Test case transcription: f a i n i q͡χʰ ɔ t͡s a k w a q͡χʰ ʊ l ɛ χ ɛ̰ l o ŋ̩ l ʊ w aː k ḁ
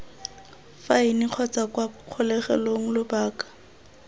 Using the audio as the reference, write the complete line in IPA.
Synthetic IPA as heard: f a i n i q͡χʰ ɔ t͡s a k w a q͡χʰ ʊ l ɛ χ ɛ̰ l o ŋ̩ l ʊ b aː k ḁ